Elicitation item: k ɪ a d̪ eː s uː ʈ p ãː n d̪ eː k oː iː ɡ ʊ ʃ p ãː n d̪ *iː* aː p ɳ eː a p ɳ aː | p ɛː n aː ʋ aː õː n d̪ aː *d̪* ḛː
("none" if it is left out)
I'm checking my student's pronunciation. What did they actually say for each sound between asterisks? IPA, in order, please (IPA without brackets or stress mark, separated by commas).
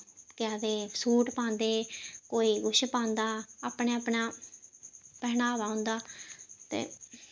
aː, t̪